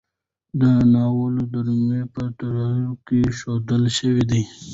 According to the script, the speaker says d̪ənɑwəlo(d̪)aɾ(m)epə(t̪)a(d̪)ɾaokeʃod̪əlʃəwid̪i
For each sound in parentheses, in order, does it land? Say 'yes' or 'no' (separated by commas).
yes, yes, yes, no